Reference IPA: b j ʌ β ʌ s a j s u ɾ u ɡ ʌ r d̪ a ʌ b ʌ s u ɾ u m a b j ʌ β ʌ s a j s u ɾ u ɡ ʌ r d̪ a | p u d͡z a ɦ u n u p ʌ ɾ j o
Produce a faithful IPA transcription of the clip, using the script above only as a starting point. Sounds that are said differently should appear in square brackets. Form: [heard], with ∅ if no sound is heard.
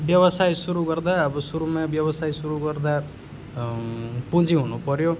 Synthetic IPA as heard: b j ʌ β ʌ s a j s u ɾ u ɡ ʌ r d̪ a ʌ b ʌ s u ɾ u m a b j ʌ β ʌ s a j s u ɾ u ɡ ʌ r d̪ a | p u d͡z [i] ɦ u n u p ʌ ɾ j o

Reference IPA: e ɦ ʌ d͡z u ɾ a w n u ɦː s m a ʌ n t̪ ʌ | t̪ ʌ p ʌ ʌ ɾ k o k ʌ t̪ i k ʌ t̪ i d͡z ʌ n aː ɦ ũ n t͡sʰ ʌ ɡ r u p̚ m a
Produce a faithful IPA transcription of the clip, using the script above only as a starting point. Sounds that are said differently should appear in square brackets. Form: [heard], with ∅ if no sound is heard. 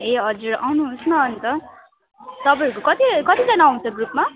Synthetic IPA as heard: e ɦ ʌ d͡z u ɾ a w n u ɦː s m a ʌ n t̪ ʌ | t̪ ʌ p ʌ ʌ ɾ k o k ʌ t̪ i k ʌ t̪ i d͡z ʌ n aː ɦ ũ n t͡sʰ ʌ ɡ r u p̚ m a

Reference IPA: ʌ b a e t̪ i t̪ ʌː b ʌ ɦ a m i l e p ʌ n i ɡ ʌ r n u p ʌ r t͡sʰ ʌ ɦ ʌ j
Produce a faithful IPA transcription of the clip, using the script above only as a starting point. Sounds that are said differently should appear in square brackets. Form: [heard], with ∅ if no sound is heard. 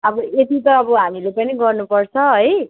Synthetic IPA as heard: ʌ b [ʌ] e t̪ i t̪ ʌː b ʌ ɦ a m i l e p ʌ n i ɡ ʌ r n u p ʌ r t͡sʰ ʌ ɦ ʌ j

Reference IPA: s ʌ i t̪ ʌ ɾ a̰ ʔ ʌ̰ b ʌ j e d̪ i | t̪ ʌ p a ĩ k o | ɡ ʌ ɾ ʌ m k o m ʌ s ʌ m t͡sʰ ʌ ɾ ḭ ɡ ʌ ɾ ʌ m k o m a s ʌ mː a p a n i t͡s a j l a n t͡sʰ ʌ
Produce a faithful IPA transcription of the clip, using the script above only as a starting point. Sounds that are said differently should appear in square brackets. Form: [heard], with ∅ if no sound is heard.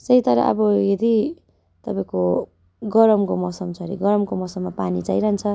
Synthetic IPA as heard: s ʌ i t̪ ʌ ɾ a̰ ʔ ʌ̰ b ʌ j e d̪ i | t̪ ʌ p a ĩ k o | ɡ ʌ ɾ ʌ m k o m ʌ s ʌ m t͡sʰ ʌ ɾ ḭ ɡ ʌ ɾ ʌ m k o m [ʌ] s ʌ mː a p a n i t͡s a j [ɾ] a n t͡sʰ ʌ

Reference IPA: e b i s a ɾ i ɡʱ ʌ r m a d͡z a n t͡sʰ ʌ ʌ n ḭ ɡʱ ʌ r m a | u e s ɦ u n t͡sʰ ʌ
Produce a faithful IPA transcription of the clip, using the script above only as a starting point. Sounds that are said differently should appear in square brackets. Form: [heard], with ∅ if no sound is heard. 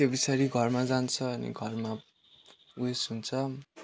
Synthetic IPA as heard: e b i s a ɾ i ɡʱ ʌ r m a d͡z a n t͡sʰ ʌ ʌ n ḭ ɡʱ ʌ r m a | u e s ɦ u n t͡sʰ ʌ

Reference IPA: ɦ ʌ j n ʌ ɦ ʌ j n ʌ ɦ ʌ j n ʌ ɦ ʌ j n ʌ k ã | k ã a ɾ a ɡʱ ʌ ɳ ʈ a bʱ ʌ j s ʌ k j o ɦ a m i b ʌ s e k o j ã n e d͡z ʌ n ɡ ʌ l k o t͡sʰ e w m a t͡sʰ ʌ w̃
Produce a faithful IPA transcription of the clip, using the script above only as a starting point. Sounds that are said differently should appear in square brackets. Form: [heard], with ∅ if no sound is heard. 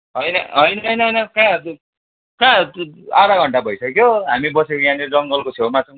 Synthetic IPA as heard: ɦ ʌ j n ʌ ɦ ʌ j n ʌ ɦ ʌ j n ʌ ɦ ʌ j n ʌ k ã | k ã a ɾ a ɡʱ ʌ ɳ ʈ a bʱ ʌ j s ʌ k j o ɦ a m i b ʌ s e k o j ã n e d͡z ʌ [ŋ] ɡ ʌ l k o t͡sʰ e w m a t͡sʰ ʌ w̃

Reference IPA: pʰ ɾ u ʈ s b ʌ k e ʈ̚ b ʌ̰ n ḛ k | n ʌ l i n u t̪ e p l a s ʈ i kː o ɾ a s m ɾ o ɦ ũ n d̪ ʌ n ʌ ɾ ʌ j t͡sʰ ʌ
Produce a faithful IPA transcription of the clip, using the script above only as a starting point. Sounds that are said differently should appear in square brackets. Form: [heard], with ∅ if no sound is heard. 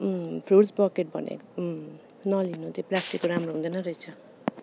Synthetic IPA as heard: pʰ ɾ u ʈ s b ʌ k e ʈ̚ b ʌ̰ n ḛ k | n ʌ l i n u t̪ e p l a s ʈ i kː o ɾ a [∅] m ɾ o ɦ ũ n d̪ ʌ n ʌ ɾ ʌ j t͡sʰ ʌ

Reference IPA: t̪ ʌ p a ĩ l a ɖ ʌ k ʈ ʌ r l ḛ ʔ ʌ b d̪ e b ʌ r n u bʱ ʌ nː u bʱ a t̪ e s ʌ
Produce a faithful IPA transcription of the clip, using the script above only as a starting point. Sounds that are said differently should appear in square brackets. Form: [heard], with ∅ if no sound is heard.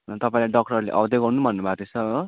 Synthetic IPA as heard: t̪ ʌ p a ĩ l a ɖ ʌ k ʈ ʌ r l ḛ ʔ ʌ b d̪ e [ɡ] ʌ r n u bʱ ʌ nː u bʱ a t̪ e s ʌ

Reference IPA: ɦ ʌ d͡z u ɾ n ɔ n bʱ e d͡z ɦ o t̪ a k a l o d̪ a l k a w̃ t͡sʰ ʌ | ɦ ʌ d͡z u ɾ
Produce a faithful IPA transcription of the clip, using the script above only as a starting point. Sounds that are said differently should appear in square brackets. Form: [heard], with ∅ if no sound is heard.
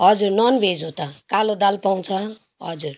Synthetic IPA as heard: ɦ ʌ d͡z u ɾ n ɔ n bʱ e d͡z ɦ o t̪ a k a l o d̪ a l [p] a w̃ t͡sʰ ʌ | ɦ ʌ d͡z u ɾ

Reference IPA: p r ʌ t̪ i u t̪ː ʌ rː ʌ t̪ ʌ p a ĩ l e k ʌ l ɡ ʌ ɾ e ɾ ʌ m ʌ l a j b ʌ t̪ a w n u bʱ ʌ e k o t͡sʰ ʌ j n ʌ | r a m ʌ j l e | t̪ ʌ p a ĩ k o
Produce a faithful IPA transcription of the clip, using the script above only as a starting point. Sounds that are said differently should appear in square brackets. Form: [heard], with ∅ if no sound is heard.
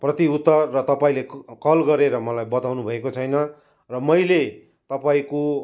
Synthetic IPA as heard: p r ʌ t̪ i u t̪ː ʌ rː ʌ t̪ ʌ p a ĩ l e k ʌ l ɡ ʌ ɾ e ɾ ʌ m ʌ l a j b ʌ t̪ a w n u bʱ ʌ e k o t͡sʰ ʌ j n ʌ | r [ʌ] m ʌ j l e | t̪ ʌ p a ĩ k o

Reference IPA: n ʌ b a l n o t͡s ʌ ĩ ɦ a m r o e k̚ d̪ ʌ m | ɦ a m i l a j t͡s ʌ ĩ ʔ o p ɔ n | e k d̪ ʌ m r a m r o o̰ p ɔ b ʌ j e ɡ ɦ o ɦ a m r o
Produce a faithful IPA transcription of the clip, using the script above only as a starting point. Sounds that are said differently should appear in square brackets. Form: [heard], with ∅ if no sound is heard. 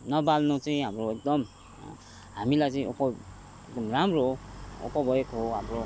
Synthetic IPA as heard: n ʌ b a l n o t͡s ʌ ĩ ɦ a m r o e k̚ d̪ ʌ m | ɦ a m i l a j t͡s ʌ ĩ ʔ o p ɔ [∅] | e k d̪ ʌ m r a m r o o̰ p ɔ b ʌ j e [k] ɦ o ɦ a m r o

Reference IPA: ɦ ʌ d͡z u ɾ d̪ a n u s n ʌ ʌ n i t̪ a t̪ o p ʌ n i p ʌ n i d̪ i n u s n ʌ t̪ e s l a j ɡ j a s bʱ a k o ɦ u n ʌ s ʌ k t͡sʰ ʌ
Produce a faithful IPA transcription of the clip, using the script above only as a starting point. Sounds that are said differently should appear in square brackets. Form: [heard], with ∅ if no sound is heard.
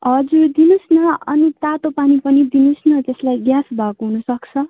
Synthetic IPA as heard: ɦ ʌ d͡z u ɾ d̪ [i] n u s n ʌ ʌ n i t̪ a t̪ o p [a] n i p ʌ n i d̪ i n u s n ʌ t̪ e s l a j ɡ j a s bʱ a k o ɦ u n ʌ s ʌ k t͡sʰ ʌ

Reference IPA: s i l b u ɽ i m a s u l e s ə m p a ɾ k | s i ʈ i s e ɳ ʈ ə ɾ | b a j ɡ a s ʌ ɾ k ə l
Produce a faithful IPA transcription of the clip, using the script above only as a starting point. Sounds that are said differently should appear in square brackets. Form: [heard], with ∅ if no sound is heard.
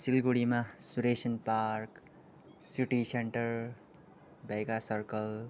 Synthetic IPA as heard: s i l [ɡ] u ɽ i m a s u [ɾ] e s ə [n] p a ɾ k | s i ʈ i s e ɳ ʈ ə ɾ | b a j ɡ a s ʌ ɾ k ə l

